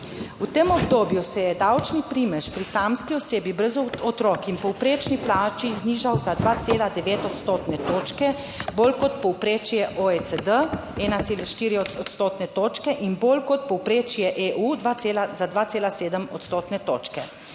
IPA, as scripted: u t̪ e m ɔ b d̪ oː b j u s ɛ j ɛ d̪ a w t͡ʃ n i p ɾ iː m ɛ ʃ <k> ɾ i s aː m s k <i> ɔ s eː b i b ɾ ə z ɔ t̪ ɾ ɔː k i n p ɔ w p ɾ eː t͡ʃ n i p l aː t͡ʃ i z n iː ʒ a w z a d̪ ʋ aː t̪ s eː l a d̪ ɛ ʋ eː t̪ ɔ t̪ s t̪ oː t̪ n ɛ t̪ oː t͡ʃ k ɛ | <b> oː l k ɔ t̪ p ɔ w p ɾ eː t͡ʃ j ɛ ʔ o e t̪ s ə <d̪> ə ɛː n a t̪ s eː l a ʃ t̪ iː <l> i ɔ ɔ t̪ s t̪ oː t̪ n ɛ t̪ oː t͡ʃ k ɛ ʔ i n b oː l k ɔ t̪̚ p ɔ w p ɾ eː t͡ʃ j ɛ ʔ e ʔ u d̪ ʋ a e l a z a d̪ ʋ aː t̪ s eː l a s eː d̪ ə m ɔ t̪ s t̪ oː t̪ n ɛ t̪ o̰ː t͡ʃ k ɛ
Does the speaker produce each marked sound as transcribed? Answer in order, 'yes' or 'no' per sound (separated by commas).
no, yes, yes, yes, no